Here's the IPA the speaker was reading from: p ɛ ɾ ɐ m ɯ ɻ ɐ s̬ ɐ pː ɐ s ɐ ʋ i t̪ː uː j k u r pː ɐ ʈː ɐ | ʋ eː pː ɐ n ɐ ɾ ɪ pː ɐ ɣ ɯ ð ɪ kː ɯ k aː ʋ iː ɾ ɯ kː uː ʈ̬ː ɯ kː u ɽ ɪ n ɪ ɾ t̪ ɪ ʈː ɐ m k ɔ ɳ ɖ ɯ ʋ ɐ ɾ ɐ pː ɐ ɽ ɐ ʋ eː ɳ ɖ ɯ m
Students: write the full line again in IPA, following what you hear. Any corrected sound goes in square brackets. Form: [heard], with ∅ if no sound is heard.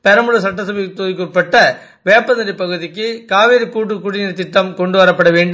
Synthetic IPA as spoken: p ɛ ɾ ɐ m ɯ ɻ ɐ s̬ ɐ [ʈː] ɐ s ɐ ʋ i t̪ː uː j k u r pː ɐ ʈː ɐ | ʋ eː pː ɐ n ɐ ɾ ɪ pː ɐ ɣ ɯ ð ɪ kː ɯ k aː ʋ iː ɾ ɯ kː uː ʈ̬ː ɯ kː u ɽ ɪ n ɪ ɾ t̪ ɪ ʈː ɐ m k ɔ ɳ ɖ ɯ ʋ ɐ ɾ ɐ pː ɐ ɽ ɐ ʋ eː ɳ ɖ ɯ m

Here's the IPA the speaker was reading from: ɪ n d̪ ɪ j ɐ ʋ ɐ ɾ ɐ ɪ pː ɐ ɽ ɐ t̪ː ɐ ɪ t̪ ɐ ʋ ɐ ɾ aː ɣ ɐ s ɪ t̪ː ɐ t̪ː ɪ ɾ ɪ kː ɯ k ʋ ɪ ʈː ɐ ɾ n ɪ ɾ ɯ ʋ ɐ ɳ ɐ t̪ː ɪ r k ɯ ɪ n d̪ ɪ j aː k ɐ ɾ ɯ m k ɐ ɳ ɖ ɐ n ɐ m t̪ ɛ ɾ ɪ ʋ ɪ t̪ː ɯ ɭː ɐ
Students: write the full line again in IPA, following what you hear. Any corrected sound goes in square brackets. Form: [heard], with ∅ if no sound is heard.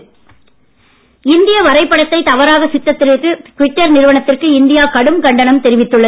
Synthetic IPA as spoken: ɪ n d̪ ɪ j ɐ ʋ ɐ ɾ ɐ ɪ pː ɐ ɽ ɐ t̪ː ɐ ɪ t̪ ɐ ʋ ɐ ɾ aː ɣ ɐ s ɪ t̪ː ɐ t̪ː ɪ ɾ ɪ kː ɯ k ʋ ɪ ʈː ɐ ɾ n ɪ ɾ ɯ ʋ ɐ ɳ ɐ t̪ː ɪ r k ɯ ɪ n d̪ ɪ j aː k ɐ [ɽ] ɯ m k ɐ ɳ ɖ ɐ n ɐ m t̪ ɛ ɾ ɪ ʋ ɪ t̪ː ɯ ɭː ɐ

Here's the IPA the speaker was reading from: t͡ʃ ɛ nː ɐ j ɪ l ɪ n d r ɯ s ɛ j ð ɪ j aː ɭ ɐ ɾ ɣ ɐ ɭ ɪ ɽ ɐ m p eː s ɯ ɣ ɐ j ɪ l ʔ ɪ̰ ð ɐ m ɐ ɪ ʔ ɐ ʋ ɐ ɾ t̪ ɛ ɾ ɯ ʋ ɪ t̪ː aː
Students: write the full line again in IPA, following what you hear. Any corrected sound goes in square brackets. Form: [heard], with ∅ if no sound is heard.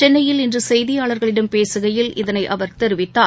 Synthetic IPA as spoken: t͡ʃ ɛ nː ɐ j ɪ l ɪ n d r ɯ s ɛ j ð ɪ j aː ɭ ɐ ɾ ɣ ɐ ɭ ɪ ɽ ɐ m p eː s ɯ ɣ ɐ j ɪ l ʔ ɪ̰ ð ɐ [n] ɐ ɪ ʔ ɐ ʋ ɐ ɾ t̪ ɛ ɾ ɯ ʋ ɪ t̪ː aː

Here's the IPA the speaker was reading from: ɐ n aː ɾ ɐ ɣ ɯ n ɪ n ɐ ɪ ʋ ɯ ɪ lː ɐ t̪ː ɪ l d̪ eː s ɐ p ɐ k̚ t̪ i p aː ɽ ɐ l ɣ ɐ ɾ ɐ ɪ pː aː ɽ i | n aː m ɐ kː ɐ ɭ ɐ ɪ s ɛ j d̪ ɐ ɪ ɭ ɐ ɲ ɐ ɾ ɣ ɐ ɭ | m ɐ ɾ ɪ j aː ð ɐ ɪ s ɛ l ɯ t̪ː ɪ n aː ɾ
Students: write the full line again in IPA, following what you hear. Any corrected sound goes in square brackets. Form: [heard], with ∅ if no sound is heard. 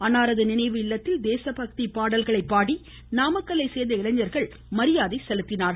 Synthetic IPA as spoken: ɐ n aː ɾ ɐ [ð] ɯ n ɪ n ɐ ɪ ʋ ɯ ɪ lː ɐ t̪ː ɪ l d̪ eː s ɐ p ɐ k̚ t̪ i p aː ɽ ɐ l ɣ ɐ [ɭ] ɐ ɪ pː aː ɽ i | n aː m ɐ kː ɐ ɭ ɐ ɪ s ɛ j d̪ ɐ ɪ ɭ ɐ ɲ ɐ ɾ ɣ ɐ ɭ | m ɐ ɾ ɪ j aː ð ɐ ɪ s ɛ l ɯ t̪ː ɪ n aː ɾ

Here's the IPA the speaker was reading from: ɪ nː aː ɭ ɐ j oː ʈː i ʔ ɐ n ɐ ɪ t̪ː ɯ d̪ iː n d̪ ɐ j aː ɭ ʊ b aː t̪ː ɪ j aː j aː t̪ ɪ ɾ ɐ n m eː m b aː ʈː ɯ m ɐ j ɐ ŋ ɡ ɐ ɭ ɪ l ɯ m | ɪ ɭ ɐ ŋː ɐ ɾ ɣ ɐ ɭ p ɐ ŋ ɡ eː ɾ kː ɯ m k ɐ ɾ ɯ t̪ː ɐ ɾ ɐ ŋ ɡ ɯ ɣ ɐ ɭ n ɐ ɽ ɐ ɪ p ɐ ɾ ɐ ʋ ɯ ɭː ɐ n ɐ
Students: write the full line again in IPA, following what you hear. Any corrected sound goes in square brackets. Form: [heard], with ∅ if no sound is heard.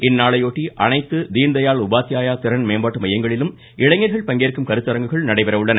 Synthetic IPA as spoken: ɪ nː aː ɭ ɐ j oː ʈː i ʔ ɐ n ɐ ɪ t̪ː ɯ d̪ iː n d̪ ɐ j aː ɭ ʊ b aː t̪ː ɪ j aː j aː t̪ ɪ ɾ ɐ n m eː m b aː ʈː ɯ m ɐ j ɐ ŋ ɡ ɐ ɭ ɪ l ɯ m | ɪ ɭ ɐ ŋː ɐ ɾ ɣ ɐ ɭ p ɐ ŋ ɡ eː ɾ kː ɯ m k ɐ ɾ ɯ t̪ː ɐ ɾ ɐ ŋ ɡ ɯ ɣ ɐ ɭ n ɐ ɽ ɐ ɪ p ɐ ɾ ɐ ʋ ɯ ɭː ɐ n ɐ

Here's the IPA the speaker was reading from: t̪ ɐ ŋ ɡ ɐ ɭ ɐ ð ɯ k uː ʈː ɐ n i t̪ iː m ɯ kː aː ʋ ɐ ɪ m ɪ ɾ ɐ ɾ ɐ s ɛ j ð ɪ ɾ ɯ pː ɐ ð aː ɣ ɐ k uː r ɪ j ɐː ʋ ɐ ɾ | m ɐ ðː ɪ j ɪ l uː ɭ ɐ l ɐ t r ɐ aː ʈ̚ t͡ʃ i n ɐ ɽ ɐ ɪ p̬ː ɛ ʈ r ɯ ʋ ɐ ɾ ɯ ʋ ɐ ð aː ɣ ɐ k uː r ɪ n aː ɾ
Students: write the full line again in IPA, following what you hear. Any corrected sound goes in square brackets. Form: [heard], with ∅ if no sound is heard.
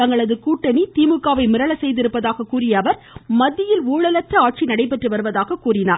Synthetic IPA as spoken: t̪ ɐ ŋ ɡ ɐ ɭ ɐ ð ɯ k uː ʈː ɐ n i t̪ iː m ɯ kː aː ʋ ɐ ɪ m ɪ ɾ ɐ [ɭ] ɐ s ɛ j ð ɪ ɾ ɯ pː ɐ ð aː ɣ ɐ k uː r ɪ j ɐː ʋ ɐ ɾ | m ɐ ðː ɪ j ɪ l uː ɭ ɐ l ɐ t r ɐ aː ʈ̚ t͡ʃ i n ɐ ɽ ɐ ɪ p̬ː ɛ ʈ r ɯ ʋ ɐ ɾ ɯ ʋ ɐ ð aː ɣ ɐ k uː r ɪ n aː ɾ

